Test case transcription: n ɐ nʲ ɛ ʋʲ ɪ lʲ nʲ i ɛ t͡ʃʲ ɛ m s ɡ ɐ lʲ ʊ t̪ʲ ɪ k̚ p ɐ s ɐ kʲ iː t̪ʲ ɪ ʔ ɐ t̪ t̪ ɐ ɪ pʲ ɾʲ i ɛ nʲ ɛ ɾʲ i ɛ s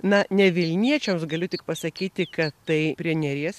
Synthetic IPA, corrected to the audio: n ɐ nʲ ɛ ʋʲ ɪ lʲ nʲ i ɛ t͡ʃʲ ɛ m s ɡ ɐ lʲ ʊ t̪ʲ ɪ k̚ p ɐ s ɐ kʲ iː t̪ʲ ɪ k ɐ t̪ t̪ ɐ ɪ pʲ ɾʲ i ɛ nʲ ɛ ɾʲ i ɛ s